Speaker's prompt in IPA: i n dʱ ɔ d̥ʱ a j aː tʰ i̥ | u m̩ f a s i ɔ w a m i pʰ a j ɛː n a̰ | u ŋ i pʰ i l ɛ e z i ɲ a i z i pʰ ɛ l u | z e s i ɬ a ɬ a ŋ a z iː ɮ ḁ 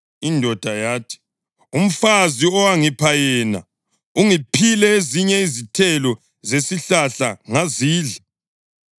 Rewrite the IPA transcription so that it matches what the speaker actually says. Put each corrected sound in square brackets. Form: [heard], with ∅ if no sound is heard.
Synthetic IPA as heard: i n dʱ ɔ d̥ʱ a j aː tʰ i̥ | u m̩ f a [z] i ɔ w a [ŋ] i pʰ a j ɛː n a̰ | u ŋ i pʰ i l ɛ e z i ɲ [ɛ] i z i [tʰ] ɛ l [ɔ] | z e s i ɬ a ɬ a ŋ a z iː ɮ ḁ